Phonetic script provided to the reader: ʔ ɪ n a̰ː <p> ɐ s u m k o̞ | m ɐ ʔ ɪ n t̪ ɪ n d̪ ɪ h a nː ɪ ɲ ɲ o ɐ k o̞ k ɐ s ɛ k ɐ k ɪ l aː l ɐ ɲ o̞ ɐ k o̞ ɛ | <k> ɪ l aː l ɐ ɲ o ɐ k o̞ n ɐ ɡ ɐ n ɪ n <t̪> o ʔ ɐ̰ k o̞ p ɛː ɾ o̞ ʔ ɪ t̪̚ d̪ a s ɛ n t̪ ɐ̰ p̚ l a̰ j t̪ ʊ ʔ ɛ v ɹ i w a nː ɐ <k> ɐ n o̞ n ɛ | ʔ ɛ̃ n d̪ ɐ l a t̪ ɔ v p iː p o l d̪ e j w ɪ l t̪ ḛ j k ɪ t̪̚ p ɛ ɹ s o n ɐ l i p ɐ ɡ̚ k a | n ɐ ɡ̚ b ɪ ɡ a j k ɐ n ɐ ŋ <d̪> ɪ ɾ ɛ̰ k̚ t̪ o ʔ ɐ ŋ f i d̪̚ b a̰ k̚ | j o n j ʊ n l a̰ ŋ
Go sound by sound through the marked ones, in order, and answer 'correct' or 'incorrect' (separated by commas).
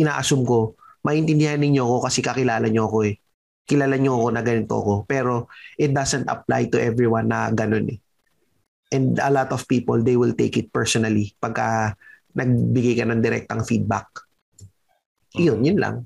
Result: incorrect, correct, correct, incorrect, correct